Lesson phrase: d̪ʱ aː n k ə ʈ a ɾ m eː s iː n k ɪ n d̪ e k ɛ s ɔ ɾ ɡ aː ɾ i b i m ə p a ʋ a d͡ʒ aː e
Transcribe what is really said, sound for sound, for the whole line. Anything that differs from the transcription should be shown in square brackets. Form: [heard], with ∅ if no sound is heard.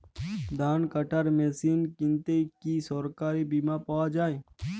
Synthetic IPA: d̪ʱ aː n k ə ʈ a ɾ m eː s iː n k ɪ n [t̪] e k [i] s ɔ ɾ [k] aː ɾ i b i m [a] p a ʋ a d͡ʒ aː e

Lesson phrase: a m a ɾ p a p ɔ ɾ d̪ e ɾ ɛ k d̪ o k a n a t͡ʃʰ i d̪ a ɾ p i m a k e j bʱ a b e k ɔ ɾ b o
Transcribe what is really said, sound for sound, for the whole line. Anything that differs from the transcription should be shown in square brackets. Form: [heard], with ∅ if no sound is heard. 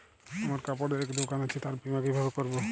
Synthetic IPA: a m a ɾ [k] a p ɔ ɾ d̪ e ɾ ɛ k d̪ o k a n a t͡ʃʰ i [t̪] a ɾ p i m a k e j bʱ a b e k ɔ ɾ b o

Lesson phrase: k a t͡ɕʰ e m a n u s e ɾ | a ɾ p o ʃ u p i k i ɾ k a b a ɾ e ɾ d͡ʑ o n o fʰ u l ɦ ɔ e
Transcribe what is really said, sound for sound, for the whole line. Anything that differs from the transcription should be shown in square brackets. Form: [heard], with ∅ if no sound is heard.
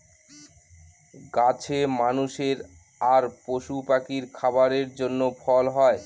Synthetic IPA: [ɡ] a t͡ɕʰ e m a n u [ʃ] e ɾ | a ɾ p o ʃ u p [a] k i ɾ [kʰ] a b a ɾ e ɾ d͡ʑ o [nː] o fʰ [ɔ] l ɦ ɔ e

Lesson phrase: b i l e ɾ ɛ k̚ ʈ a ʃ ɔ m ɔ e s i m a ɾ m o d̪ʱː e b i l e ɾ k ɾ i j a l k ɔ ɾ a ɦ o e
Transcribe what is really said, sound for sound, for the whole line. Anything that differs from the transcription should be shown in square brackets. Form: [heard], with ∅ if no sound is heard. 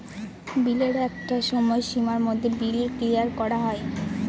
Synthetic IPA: b i l e ɾ ɛ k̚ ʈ a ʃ ɔ m ɔ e [ʃ] i m a ɾ m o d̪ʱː e b i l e ɾ k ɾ i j a [ɾ] k ɔ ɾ a ɦ [ɔ] e

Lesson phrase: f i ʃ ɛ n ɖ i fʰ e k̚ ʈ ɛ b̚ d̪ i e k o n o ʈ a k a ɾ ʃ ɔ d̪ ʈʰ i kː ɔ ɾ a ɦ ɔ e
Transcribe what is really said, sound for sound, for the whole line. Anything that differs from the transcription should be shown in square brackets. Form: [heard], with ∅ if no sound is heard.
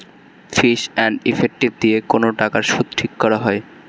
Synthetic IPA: f i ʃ ɛ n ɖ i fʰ e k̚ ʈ [i] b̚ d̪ i e k o n o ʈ a k a ɾ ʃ [u] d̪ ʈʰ i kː ɔ ɾ a ɦ ɔ e

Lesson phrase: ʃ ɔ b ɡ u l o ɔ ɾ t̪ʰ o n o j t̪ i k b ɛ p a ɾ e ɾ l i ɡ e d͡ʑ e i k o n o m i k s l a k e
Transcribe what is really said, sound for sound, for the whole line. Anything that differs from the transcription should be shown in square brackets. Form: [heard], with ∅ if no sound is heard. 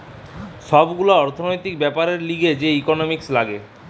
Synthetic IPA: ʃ ɔ b ɡ u l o ɔ ɾ t̪ʰ o n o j t̪ i k b ɛ p a ɾ e ɾ l i ɡ e d͡ʑ e i k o n o m i k s l a [ɡ] e

